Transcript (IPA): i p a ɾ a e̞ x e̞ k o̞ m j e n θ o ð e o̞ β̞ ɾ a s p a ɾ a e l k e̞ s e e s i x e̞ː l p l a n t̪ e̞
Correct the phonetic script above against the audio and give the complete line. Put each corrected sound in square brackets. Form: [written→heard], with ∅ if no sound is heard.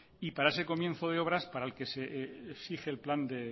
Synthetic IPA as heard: i p a ɾ a e̞ [x→s] e̞ k o̞ m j e n θ o ð e o̞ β̞ ɾ a s p a ɾ a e l k e̞ s e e s i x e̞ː l p l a n [t̪→d̪] e̞